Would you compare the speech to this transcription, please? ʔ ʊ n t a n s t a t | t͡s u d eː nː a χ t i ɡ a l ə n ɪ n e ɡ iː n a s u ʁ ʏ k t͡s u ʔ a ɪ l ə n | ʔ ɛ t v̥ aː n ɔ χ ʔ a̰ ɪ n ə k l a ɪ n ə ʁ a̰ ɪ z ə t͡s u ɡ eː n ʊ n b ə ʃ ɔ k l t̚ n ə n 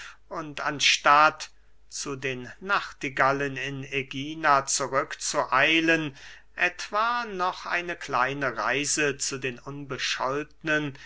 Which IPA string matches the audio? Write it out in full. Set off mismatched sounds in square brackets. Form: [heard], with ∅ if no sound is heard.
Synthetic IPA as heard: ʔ ʊ n t a n [ʃ] t a t | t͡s u d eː nː a χ t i ɡ a l ə n ɪ n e ɡ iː n a [t͡s] u ʁ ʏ k t͡s u ʔ a ɪ l ə n | ʔ ɛ t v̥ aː n ɔ χ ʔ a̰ ɪ n ə k l a ɪ n ə ʁ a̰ ɪ z ə t͡s u [d] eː n ʊ n b ə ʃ ɔ [∅] l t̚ n ə n